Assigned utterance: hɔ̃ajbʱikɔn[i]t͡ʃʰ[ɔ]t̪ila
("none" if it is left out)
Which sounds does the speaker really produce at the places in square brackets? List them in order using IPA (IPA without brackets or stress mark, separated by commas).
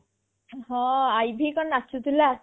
a, u